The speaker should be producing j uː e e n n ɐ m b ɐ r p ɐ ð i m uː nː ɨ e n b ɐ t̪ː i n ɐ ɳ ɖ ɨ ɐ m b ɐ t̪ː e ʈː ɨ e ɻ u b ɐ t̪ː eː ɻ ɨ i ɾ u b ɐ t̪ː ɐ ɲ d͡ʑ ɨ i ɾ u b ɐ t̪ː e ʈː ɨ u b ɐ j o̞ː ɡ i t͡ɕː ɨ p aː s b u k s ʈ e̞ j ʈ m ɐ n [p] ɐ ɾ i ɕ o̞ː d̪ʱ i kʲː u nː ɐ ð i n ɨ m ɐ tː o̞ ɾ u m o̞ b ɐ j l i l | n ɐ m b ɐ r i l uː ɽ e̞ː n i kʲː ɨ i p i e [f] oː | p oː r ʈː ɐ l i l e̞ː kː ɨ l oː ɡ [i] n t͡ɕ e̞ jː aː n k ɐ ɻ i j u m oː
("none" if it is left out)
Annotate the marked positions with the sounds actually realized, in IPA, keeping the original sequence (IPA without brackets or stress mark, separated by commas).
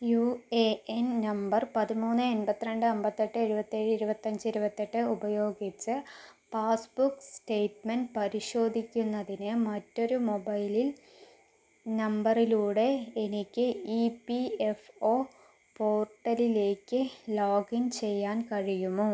p, f, i